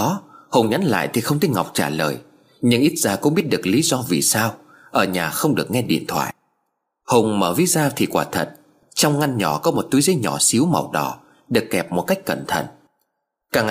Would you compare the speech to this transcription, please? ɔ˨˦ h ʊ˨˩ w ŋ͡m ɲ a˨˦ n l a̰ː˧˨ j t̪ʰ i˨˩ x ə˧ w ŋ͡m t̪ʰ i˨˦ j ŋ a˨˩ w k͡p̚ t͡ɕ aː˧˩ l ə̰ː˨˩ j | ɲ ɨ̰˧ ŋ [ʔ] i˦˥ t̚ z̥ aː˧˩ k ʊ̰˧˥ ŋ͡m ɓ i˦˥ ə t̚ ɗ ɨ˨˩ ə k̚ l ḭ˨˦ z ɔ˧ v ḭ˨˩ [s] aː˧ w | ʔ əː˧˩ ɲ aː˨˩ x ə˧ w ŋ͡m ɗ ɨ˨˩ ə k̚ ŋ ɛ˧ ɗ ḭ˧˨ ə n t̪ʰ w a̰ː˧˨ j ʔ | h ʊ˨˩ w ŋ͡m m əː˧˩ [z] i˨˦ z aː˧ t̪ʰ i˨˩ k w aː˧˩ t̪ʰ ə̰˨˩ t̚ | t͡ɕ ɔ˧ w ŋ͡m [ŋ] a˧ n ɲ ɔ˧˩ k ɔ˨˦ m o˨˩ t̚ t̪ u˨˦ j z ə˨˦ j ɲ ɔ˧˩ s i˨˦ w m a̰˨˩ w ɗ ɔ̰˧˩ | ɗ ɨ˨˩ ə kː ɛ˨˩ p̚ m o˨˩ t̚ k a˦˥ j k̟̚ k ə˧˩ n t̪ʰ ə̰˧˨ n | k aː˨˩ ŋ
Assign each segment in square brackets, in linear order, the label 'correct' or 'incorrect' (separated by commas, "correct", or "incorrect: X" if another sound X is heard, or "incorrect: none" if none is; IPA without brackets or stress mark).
correct, correct, incorrect: v, correct